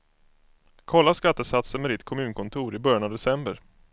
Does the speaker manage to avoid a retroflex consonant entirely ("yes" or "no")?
yes